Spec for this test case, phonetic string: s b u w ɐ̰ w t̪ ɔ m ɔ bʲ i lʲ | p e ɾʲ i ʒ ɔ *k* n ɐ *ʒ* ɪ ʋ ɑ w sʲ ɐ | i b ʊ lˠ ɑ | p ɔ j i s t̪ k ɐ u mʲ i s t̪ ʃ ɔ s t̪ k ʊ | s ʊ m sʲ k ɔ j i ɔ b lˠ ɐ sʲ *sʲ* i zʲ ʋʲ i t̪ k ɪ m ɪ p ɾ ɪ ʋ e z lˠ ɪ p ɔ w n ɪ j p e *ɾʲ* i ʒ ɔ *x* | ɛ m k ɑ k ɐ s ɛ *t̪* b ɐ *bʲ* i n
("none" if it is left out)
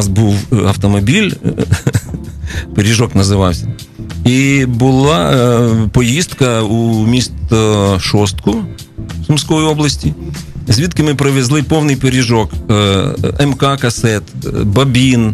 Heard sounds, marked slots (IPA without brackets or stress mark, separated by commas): k, z, tʲ, ɾʲ, k, t̪, bʲ